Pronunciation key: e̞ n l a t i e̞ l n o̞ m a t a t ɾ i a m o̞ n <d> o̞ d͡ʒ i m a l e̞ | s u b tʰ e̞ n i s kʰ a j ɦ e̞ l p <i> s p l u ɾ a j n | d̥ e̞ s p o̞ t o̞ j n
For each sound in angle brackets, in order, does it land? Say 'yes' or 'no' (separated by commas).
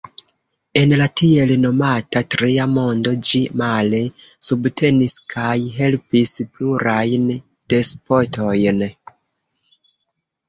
yes, yes